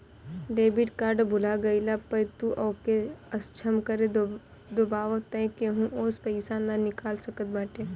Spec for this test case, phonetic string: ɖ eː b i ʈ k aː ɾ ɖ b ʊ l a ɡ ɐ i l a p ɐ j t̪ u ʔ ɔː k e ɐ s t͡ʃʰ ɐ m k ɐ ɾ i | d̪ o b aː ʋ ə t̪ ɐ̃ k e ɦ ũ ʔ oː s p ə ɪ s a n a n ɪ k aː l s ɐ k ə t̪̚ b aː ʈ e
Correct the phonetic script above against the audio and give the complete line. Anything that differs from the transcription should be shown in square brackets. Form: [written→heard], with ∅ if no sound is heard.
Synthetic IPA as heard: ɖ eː b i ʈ k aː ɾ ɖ b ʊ l a ɡ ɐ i l a p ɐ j t̪ u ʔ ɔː k e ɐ s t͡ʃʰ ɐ m k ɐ ɾ [i→e] | d̪ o b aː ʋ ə t̪ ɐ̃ k e ɦ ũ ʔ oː s p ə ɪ s a n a n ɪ k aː l s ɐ k ə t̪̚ b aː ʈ e